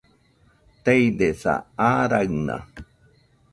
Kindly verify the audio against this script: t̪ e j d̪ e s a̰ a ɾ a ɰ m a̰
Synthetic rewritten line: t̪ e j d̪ e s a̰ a ɾ a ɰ n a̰